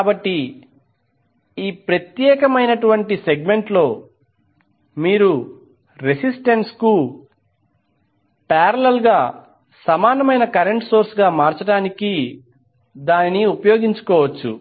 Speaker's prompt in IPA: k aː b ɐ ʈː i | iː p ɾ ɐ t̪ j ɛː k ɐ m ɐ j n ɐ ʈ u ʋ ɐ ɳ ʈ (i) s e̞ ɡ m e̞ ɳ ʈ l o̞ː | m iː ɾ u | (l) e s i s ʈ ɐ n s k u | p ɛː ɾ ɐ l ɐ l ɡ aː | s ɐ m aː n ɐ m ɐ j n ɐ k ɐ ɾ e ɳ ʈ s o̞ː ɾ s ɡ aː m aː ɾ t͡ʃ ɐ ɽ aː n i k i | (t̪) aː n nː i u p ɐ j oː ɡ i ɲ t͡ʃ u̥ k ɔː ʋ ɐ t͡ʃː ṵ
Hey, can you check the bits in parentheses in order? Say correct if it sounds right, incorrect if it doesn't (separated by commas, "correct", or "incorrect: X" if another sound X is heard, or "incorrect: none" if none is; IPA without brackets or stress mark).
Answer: correct, incorrect: ɾ, incorrect: d̪